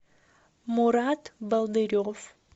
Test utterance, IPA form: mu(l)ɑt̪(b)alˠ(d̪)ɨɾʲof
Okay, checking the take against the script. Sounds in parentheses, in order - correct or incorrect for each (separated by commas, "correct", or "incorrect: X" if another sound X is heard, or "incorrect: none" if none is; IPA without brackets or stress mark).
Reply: incorrect: ɾ, correct, correct